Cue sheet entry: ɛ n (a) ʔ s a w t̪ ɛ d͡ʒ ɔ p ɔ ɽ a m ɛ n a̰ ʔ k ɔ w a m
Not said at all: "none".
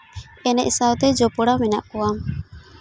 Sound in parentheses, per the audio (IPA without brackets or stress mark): ɛ